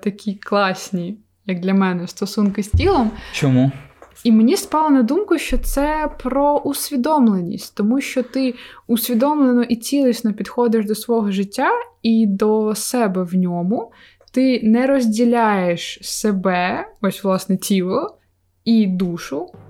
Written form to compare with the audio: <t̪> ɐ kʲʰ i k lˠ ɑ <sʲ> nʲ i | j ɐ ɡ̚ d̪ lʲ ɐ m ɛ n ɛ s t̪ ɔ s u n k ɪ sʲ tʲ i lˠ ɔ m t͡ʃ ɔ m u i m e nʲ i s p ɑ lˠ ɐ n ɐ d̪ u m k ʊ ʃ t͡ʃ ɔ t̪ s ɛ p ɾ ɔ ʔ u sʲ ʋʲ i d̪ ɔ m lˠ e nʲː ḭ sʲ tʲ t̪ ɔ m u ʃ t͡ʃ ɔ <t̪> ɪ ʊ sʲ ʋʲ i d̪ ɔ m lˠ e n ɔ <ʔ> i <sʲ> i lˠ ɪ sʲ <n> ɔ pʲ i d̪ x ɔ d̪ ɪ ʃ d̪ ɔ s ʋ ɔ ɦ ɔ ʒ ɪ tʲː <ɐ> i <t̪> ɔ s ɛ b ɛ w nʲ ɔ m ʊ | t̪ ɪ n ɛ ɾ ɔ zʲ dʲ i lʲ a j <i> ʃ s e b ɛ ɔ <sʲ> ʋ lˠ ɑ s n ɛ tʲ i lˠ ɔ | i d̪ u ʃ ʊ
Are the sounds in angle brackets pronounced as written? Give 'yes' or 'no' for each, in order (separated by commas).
yes, yes, yes, yes, no, yes, no, no, no, yes